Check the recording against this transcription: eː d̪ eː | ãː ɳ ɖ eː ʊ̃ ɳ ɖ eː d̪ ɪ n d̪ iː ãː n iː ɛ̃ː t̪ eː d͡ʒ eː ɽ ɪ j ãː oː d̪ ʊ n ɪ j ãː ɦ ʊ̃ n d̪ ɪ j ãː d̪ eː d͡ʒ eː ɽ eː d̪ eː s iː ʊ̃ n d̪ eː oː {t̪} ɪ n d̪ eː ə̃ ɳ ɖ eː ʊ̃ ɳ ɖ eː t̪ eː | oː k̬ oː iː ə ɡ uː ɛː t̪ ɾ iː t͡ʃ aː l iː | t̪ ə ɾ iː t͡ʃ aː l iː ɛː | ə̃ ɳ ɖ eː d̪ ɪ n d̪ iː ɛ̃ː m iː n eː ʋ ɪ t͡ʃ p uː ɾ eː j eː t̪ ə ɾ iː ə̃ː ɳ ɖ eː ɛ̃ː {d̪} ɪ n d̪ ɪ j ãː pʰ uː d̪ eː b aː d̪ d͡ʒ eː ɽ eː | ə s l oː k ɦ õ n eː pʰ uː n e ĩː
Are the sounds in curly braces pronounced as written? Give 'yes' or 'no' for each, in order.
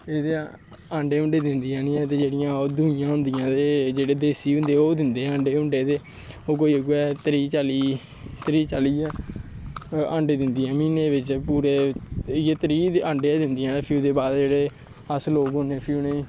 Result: no, yes

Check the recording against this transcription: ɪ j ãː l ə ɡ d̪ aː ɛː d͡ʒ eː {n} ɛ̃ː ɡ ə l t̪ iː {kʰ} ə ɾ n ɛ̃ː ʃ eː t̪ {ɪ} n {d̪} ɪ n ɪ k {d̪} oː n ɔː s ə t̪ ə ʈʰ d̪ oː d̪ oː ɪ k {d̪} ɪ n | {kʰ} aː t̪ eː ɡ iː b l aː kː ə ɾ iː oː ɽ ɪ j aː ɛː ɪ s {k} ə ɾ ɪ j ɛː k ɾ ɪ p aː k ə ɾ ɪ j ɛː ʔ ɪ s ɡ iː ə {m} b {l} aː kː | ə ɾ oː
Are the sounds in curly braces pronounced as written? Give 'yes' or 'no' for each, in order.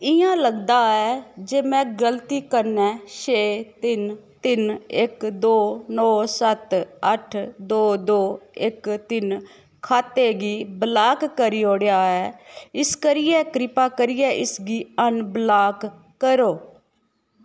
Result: no, no, yes, no, yes, no, yes, yes, no, yes

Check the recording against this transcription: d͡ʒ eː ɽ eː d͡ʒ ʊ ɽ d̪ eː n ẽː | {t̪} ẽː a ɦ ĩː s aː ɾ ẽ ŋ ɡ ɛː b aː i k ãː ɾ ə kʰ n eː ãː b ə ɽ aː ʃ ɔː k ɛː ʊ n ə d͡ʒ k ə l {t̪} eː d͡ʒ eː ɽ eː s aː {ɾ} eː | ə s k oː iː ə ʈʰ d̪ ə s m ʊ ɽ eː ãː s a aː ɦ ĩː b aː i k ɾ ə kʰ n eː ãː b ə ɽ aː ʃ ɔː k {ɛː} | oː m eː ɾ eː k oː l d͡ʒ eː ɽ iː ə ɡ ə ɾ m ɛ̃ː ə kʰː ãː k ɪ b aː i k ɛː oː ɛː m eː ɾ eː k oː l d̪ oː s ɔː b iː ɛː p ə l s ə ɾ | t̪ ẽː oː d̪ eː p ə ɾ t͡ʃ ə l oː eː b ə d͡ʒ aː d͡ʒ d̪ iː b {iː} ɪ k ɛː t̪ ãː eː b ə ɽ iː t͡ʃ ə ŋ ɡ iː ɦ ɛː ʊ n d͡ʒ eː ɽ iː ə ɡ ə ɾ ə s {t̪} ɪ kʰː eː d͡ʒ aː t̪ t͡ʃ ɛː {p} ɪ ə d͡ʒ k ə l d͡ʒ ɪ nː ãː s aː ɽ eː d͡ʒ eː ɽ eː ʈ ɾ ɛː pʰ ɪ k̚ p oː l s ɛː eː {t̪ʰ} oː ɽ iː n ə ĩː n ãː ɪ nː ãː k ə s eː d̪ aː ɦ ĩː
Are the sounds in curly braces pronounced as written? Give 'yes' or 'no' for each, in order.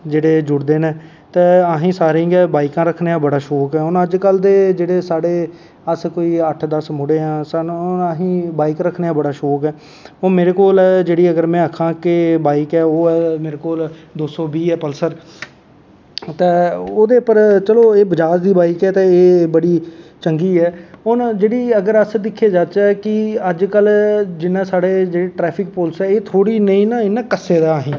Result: yes, no, no, yes, no, no, no, yes

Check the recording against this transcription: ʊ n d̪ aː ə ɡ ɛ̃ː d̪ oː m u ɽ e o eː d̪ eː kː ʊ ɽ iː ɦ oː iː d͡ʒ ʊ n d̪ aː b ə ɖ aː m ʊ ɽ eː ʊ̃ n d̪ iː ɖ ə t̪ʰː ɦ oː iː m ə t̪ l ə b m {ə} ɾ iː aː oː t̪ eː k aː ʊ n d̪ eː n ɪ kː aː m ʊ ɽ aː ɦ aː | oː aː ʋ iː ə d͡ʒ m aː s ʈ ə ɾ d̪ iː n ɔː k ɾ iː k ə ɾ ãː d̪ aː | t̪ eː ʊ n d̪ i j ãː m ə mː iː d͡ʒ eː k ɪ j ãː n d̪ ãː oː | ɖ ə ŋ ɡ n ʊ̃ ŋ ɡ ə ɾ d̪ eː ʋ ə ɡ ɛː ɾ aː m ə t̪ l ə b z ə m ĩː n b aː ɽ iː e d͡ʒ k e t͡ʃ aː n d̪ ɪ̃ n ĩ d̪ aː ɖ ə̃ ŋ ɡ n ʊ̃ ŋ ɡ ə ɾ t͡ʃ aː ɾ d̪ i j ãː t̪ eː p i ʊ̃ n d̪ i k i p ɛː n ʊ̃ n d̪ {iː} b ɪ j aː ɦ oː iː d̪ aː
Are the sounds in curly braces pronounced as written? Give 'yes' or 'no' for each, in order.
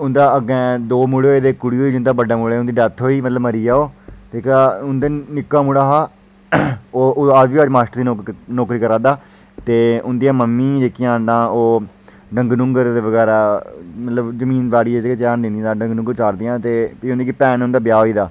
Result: yes, no

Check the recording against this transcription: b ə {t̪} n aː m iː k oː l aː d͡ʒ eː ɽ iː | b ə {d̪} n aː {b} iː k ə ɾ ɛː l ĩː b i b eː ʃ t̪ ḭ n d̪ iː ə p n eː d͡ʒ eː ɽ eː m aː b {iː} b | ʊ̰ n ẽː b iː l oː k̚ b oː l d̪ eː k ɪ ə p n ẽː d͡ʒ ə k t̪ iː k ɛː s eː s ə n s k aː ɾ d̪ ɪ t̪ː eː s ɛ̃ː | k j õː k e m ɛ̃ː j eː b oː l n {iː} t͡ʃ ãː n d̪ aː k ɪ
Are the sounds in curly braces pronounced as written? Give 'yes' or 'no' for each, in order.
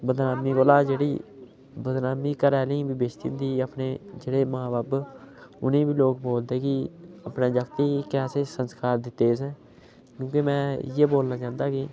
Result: no, yes, no, no, no

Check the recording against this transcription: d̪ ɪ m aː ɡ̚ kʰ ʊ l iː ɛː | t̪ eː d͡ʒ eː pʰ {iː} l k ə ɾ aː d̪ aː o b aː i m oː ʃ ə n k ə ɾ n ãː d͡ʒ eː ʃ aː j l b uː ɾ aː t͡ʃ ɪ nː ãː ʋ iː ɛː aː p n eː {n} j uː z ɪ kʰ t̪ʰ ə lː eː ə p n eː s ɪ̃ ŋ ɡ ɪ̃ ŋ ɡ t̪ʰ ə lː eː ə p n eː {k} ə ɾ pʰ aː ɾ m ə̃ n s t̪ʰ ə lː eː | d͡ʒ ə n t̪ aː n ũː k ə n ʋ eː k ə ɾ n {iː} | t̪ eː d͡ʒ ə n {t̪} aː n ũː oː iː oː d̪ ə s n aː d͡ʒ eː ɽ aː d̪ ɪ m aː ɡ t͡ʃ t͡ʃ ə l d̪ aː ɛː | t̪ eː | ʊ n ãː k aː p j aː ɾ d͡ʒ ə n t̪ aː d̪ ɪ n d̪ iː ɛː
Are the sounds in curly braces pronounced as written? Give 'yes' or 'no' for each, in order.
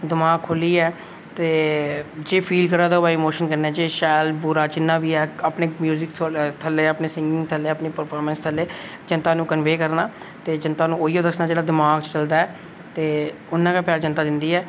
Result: yes, no, no, no, yes

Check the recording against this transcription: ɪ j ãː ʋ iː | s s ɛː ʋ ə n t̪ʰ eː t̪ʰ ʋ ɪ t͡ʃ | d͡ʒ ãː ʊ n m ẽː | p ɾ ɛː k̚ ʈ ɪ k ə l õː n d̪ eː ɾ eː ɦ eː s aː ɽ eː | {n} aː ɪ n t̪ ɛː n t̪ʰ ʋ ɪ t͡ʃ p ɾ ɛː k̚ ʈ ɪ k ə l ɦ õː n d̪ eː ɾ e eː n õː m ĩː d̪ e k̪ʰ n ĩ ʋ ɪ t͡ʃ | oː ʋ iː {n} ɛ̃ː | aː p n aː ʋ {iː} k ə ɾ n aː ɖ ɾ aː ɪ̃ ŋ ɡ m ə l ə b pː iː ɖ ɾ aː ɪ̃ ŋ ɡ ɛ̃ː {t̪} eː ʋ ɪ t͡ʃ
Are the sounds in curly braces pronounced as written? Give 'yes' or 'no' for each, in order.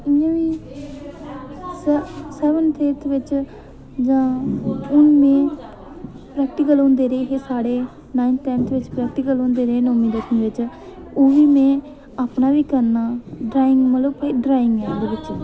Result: yes, no, yes, no

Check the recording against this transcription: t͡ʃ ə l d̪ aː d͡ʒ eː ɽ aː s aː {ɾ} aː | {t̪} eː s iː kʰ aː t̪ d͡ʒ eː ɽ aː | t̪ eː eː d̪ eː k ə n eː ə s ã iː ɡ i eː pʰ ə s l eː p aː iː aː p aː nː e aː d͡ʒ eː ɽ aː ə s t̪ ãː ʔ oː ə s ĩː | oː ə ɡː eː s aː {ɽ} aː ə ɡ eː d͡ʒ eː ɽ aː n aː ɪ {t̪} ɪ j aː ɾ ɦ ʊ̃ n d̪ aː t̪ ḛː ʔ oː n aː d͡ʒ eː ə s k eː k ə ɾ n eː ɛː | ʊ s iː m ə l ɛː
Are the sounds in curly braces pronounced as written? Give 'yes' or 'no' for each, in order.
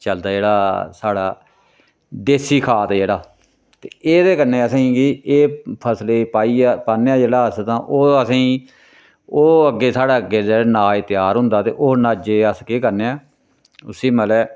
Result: no, no, yes, yes

